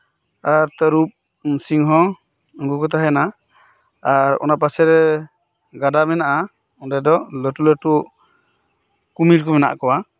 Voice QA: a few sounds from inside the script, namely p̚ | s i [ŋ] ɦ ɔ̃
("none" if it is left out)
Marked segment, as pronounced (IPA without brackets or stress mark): ŋ